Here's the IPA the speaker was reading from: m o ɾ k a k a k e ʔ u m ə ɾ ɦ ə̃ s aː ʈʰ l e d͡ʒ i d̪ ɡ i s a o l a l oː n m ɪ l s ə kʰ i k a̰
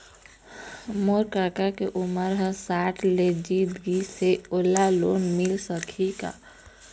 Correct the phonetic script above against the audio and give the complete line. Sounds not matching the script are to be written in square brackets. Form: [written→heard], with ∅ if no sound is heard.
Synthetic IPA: m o ɾ k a k a k e ʔ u m ə ɾ ɦ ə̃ s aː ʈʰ l e d͡ʒ i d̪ ɡ i s [a→e] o l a l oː n m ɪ l s ə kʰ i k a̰